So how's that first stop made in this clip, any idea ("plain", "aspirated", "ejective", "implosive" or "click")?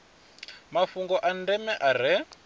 plain